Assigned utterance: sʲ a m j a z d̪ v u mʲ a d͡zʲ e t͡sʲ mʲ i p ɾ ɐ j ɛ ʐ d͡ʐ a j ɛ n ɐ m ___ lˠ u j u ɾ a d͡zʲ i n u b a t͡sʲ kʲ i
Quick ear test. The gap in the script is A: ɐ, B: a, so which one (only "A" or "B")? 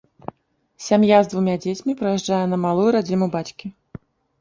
B